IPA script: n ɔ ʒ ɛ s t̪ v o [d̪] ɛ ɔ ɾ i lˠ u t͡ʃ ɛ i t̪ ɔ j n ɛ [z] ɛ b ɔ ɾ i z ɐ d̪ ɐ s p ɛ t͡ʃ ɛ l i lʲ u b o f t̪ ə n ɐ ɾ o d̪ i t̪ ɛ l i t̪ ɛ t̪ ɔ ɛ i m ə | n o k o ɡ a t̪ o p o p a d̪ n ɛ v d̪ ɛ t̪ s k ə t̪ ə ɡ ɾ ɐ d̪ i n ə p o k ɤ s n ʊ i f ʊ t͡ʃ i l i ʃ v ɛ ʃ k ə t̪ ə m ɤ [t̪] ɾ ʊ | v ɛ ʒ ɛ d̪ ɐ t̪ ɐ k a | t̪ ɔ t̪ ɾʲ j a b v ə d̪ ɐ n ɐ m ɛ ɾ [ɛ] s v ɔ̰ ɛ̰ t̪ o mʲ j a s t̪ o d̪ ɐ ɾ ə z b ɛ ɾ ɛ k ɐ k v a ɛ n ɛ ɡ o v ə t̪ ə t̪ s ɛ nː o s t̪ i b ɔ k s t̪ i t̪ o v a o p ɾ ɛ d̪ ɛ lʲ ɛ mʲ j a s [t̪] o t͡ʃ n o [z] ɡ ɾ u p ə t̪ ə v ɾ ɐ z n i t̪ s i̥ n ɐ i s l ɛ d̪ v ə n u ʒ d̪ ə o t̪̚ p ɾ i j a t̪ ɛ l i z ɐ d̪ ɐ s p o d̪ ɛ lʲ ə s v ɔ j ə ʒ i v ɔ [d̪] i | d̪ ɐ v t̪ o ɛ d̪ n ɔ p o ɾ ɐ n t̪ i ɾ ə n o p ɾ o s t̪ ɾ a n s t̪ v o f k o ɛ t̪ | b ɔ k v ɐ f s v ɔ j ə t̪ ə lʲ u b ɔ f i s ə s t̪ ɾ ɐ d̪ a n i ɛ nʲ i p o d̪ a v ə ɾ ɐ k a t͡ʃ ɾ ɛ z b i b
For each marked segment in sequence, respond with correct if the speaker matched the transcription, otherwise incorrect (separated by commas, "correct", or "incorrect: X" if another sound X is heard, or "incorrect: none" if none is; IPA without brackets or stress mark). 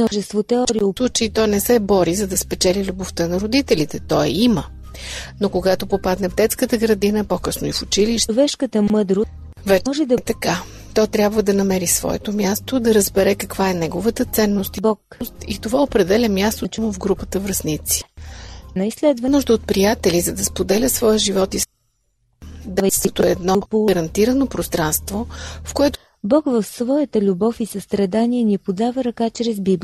incorrect: t̪, incorrect: s, incorrect: d̪, incorrect: i, correct, incorrect: v, incorrect: t̪